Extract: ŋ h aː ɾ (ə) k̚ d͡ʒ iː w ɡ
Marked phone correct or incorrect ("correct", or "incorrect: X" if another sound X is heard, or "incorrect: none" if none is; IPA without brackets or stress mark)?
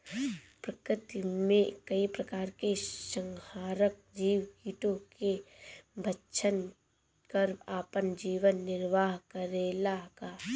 correct